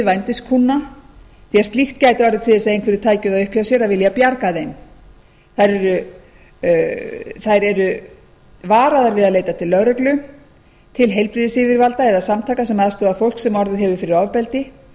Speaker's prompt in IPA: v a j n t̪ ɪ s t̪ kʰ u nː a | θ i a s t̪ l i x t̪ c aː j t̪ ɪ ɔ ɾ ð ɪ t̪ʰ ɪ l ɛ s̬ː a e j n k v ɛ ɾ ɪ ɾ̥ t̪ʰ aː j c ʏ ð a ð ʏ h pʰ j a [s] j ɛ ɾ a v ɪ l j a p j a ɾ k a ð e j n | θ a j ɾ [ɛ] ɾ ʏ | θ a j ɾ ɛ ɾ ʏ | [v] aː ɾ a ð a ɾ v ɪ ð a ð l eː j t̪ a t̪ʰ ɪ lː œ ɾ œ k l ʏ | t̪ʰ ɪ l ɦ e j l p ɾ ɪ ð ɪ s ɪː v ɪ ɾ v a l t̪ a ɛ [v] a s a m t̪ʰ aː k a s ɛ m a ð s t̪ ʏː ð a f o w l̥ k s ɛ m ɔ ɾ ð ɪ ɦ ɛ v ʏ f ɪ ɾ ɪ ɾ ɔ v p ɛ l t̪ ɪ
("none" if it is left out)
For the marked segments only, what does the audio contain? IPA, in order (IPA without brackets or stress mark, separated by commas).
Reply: s, ɛ, v, ð